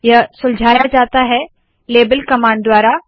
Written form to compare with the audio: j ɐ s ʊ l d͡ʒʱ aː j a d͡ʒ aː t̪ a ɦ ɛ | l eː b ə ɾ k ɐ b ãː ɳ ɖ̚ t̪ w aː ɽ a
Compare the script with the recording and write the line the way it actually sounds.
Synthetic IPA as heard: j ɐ s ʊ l d͡ʒʱ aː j a d͡ʒ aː t̪ a ɦ ɛ | l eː b ə l k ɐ m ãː ɳ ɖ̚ d̪ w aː ɾ a